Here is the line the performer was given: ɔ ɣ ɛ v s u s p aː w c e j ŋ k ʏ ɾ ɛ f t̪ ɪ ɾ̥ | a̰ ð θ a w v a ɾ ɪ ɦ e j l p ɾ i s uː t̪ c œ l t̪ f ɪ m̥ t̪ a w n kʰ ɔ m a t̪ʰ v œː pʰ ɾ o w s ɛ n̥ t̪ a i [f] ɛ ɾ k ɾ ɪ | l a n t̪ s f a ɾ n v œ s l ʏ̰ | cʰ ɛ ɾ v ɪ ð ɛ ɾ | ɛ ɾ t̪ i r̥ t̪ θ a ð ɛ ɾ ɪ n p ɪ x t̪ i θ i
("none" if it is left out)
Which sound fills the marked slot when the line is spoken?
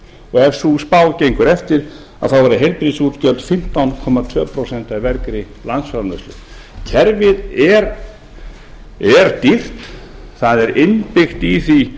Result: v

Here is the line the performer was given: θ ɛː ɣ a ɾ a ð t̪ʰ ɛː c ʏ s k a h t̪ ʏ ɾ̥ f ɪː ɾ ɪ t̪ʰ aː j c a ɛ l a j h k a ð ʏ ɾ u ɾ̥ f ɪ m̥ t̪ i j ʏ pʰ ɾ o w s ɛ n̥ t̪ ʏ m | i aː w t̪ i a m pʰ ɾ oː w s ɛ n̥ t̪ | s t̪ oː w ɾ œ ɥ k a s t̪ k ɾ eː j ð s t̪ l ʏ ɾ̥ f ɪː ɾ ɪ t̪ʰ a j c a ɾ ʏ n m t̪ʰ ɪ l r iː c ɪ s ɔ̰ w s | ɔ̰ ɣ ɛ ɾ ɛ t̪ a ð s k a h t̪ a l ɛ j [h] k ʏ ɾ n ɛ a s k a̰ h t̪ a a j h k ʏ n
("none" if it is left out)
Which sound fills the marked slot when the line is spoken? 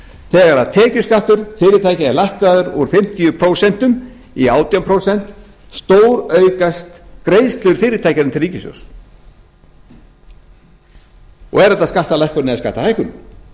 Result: h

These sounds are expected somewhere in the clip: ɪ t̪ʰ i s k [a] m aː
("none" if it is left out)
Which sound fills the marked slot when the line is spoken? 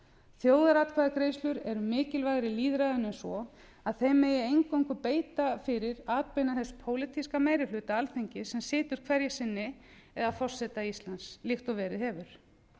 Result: a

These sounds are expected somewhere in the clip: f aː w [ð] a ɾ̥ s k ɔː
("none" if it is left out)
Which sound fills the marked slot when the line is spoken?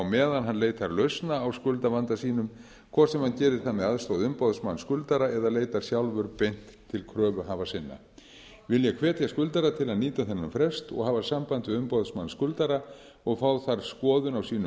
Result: θ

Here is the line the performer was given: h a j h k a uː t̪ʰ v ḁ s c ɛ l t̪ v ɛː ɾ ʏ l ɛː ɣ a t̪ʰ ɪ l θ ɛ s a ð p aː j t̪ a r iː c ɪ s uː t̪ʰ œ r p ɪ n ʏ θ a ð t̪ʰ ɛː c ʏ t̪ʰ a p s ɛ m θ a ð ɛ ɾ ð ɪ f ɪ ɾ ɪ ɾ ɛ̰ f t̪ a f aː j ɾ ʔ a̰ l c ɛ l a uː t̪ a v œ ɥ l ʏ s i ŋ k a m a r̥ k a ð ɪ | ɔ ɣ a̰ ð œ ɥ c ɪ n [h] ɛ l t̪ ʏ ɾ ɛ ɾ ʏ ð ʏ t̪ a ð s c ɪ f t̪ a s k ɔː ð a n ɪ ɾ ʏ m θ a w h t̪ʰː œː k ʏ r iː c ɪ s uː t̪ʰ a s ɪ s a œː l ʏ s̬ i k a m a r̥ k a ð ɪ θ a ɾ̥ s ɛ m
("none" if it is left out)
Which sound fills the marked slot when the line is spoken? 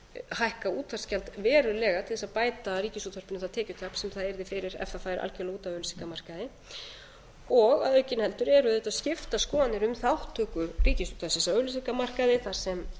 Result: h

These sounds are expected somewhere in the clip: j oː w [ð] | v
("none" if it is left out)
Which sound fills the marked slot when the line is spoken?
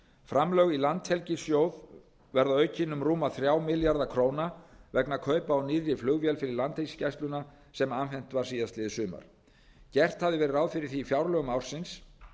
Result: ð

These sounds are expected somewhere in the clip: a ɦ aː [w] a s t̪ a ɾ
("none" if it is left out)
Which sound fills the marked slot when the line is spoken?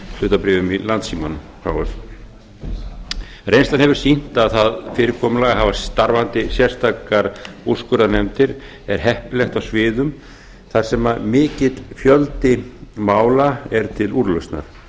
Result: v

